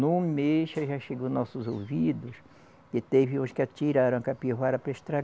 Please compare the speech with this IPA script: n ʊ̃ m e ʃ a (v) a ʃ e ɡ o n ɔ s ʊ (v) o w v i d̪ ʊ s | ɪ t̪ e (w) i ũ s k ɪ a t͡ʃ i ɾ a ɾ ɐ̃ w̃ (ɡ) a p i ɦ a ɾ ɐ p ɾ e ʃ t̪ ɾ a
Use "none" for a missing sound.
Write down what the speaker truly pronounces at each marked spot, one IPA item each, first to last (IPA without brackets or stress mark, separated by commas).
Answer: ʒ, z, v, k